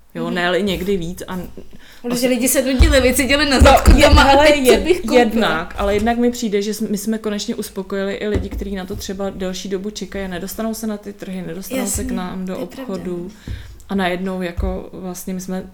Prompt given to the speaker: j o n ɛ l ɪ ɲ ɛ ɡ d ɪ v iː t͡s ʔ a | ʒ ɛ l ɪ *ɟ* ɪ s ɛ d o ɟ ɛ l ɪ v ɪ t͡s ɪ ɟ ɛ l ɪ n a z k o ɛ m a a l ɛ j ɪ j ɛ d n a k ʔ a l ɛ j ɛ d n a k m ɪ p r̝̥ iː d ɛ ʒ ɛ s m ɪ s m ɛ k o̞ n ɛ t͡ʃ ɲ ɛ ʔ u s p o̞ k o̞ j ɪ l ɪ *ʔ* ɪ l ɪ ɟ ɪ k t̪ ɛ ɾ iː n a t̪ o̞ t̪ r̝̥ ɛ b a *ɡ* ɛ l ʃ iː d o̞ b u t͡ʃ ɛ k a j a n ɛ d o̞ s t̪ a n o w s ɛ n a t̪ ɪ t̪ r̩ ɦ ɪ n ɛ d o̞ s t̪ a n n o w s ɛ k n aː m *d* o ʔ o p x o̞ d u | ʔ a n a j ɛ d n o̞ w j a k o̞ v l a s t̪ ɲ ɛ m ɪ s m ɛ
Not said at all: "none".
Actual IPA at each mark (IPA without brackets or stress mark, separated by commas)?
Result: ɟ, ʔ, d, d